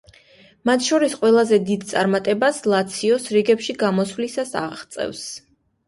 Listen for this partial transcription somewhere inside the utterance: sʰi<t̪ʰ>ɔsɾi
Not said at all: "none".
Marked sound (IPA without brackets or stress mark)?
none